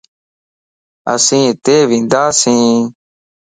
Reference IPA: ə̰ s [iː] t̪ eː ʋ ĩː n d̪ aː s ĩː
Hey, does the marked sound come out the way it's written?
no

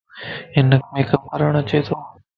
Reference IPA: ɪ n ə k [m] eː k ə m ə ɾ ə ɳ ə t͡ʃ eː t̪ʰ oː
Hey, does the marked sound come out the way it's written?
yes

